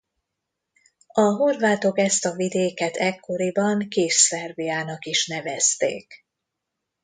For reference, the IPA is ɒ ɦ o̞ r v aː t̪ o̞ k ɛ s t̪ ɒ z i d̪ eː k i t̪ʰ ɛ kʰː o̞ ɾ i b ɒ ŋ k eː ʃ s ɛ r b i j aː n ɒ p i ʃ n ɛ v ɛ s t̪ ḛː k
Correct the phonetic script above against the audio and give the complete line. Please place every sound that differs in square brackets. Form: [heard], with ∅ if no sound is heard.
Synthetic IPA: ɒ ɦ o̞ r v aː t̪ o̞ k ɛ s t̪ ɒ [v] i d̪ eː k [ɛ] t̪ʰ ɛ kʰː o̞ ɾ i b ɒ ŋ k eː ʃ s ɛ r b i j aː n ɒ [k] i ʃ n ɛ v ɛ s t̪ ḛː k